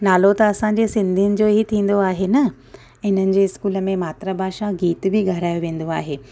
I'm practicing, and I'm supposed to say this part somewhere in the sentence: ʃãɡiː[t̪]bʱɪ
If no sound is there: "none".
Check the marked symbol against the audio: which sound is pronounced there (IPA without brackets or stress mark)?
t̪